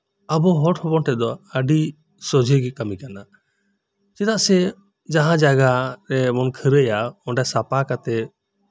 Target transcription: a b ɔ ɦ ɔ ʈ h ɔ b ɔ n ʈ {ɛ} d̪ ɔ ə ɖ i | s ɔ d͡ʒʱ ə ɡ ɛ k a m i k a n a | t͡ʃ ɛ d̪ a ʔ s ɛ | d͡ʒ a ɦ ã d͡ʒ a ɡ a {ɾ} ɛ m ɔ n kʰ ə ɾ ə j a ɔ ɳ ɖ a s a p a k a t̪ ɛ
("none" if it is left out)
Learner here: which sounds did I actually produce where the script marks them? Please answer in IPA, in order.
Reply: ɛ, ɾ

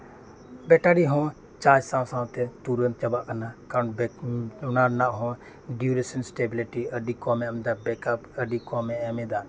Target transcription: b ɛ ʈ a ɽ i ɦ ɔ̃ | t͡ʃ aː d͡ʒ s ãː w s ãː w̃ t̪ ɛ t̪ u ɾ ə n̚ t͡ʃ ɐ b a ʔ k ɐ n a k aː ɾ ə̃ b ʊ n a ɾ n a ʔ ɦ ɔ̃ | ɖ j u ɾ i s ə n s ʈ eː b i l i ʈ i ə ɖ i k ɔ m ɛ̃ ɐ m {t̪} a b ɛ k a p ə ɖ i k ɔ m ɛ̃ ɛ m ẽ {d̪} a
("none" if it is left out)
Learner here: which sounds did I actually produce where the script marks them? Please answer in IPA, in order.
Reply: d̪, d̪

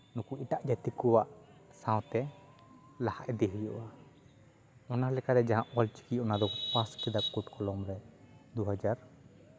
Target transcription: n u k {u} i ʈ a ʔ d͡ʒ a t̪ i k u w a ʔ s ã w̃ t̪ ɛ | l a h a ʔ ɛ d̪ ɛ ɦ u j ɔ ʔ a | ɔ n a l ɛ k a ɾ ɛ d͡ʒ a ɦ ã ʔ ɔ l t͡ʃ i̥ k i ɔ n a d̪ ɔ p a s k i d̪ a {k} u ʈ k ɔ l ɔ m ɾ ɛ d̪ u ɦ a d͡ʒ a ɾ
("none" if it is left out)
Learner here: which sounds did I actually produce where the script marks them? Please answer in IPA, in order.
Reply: u, k

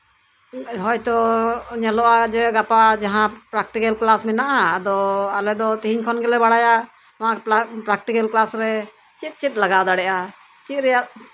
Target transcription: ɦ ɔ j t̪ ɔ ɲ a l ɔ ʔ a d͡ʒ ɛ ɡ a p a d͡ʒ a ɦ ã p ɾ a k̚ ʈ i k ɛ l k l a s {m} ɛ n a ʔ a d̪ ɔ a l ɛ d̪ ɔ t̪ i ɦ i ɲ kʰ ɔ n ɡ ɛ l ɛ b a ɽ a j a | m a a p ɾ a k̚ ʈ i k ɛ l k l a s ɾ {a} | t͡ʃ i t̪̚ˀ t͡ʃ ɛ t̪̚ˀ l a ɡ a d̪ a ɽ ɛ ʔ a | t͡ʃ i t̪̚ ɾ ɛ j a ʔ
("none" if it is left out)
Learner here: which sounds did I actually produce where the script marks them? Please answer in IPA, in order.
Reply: m, ɛ

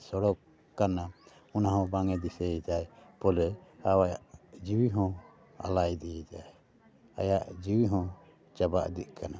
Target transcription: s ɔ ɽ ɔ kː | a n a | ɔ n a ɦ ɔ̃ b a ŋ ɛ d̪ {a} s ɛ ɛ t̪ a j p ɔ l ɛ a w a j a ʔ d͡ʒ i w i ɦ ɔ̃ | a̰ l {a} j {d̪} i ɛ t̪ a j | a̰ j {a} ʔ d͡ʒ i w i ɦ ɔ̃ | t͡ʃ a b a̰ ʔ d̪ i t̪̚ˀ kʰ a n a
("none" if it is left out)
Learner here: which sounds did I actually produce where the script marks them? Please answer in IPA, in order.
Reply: i, a, d̪, a

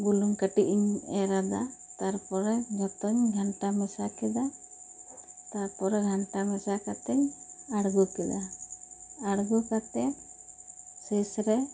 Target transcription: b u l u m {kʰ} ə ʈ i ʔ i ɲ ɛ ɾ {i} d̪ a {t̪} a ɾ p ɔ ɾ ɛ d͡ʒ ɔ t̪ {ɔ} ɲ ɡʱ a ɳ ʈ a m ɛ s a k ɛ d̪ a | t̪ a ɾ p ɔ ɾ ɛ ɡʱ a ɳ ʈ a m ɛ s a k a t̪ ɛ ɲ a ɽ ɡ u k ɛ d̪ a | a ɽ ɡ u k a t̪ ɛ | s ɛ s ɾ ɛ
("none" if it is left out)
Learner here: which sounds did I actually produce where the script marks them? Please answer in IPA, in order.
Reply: k, a, t̪, ɔ

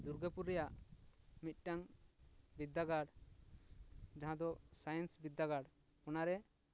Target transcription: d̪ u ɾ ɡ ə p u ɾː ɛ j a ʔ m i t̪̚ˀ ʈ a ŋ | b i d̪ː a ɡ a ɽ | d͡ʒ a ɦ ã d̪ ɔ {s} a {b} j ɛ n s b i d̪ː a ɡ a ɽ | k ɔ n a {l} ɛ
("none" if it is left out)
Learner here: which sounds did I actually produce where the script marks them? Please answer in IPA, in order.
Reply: s, none, ɾ

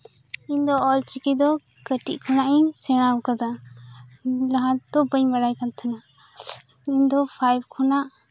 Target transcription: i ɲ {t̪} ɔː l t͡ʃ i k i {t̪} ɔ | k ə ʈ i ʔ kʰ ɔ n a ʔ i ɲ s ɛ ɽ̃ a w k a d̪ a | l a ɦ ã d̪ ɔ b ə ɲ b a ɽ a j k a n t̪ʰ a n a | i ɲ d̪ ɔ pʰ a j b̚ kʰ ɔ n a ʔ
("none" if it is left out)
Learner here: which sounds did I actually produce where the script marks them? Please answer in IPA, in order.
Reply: d̪, d̪

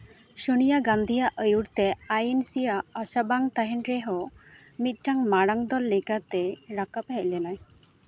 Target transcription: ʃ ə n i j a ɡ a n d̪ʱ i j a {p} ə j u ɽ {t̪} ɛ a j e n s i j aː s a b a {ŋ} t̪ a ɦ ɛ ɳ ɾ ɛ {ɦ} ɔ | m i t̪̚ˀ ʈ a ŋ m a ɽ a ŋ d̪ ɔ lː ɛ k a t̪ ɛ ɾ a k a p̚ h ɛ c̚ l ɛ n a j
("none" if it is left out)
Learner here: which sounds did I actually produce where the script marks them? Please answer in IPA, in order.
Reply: ʔ, t̪, ŋ, ɦ

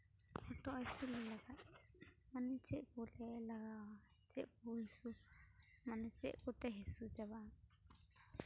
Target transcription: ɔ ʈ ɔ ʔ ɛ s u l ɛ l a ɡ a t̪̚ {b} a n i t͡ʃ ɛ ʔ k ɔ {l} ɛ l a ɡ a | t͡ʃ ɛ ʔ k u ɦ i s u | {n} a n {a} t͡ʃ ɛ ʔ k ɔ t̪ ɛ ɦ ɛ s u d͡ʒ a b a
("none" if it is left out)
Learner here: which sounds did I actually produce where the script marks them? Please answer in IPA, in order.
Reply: m, l, m, ɛ

